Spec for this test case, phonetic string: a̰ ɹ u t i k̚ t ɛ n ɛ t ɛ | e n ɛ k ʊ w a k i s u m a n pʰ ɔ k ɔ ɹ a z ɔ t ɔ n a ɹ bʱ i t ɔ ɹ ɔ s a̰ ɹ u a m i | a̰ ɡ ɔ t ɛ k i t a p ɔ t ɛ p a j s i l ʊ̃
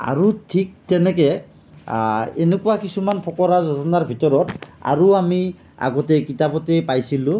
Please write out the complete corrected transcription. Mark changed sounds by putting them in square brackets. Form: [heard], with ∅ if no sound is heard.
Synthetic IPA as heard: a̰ ɹ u [tʰ] i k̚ t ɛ n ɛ [k] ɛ | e n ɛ k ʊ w a k i s u m a n pʰ ɔ k ɔ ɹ a z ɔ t ɔ n a ɹ bʱ i t ɔ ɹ ɔ [t] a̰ ɹ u a m i | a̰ ɡ ɔ t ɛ k i t a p ɔ t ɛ p a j s i l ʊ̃